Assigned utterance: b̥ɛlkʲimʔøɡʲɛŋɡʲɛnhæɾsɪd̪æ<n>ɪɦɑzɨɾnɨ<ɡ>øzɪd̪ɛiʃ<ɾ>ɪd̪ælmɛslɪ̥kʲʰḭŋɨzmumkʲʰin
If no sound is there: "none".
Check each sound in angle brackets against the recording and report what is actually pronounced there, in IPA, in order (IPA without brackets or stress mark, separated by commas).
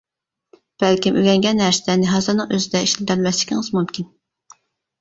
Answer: n, ŋ, l